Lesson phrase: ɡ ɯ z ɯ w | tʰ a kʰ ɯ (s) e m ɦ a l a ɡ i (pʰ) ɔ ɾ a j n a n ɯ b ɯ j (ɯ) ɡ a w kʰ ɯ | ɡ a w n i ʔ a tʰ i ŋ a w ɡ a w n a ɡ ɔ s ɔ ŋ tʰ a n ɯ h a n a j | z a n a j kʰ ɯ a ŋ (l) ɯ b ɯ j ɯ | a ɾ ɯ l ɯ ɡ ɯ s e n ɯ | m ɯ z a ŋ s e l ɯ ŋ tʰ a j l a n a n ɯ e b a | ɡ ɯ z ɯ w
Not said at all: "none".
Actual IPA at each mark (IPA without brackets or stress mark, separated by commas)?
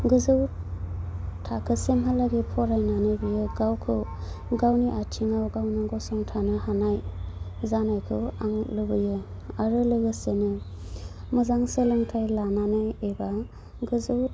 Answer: s, pʰ, ɯ, l